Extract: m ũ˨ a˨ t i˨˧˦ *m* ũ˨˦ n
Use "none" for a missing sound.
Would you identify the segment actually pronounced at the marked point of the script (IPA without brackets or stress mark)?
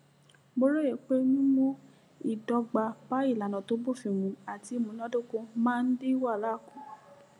m